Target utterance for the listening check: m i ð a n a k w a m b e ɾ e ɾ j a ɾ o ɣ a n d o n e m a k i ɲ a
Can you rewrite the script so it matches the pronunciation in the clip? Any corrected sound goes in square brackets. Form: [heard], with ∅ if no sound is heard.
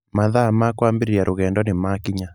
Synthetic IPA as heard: m [a] ð a [m] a k w a m b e ɾ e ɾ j a ɾ o ɣ [ɛ] n d [ɔ] n e m a k i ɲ a

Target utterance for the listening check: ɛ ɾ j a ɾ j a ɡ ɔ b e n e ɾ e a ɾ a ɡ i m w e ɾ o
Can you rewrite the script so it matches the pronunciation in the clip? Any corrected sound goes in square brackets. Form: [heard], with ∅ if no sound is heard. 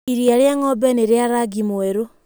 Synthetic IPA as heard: [i] ɾ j a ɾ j a [ŋ] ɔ b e n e ɾ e a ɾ a ɡ i m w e ɾ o

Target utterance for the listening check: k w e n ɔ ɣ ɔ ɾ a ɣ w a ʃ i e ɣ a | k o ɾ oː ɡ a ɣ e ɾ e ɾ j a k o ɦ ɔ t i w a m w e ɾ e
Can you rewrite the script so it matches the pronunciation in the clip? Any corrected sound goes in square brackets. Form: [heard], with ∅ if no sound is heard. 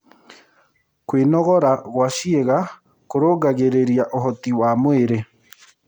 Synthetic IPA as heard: k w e n ɔ ɣ ɔ ɾ a ɣ w a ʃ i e ɣ a | k o ɾ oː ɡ a ɣ e ɾ e ɾ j a [ʔ] o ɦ ɔ t i w a m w e ɾ e

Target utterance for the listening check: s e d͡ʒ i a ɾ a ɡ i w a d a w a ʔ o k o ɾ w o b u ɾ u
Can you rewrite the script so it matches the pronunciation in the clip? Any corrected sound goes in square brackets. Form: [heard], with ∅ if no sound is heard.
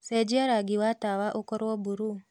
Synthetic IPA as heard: s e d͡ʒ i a ɾ a ɡ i w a [t] a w a ʔ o k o ɾ w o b u ɾ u

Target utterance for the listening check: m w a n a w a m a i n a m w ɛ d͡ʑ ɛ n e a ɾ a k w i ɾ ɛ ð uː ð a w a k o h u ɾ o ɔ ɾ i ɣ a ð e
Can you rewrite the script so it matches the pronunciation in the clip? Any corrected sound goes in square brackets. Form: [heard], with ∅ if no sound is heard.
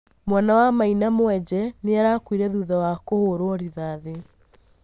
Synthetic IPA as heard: m w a n a w a m a i n a m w ɛ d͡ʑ ɛ n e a ɾ a k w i ɾ ɛ ð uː ð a w a k o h [o] ɾ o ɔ ɾ i [ð] a ð e

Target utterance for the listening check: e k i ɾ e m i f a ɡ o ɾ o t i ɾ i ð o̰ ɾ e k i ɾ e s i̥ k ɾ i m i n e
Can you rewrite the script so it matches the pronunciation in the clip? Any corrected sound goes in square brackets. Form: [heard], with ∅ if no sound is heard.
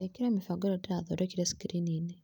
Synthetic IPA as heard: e k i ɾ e m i f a ɡ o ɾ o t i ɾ [a] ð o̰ ɾ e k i ɾ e s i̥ k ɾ i [n] i n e

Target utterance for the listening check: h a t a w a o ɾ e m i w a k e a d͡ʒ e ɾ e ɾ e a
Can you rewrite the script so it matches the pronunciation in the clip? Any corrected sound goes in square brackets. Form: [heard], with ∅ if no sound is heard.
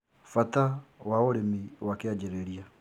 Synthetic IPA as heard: [f] a t a w a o ɾ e m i w a k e a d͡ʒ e ɾ e ɾ [i] a

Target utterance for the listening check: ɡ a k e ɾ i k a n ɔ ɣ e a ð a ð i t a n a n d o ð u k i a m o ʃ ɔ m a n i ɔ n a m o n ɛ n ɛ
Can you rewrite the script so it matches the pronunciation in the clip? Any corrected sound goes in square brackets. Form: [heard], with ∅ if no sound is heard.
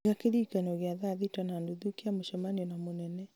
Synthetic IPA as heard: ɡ a k e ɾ i k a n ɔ ɣ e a ð a ð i t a n a n d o ð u k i a m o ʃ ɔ m a n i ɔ n a m o n ɛ n ɛ

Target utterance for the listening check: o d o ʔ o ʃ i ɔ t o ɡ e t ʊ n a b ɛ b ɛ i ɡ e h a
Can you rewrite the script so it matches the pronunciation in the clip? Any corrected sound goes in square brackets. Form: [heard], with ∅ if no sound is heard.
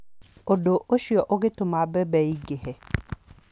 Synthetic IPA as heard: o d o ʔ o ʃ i ɔ [ʔ] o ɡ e t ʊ [m] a b ɛ b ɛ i ɡ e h [ɛ]

